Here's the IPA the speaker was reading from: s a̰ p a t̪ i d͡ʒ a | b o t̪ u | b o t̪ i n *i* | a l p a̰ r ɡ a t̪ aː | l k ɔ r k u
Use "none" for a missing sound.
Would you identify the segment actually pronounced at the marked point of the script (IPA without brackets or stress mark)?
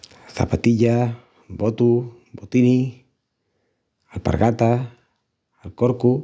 i